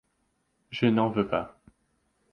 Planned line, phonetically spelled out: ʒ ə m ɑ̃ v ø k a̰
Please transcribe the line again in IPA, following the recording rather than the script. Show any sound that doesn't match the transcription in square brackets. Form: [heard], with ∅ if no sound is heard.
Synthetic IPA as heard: ʒ ə [n] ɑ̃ v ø [p] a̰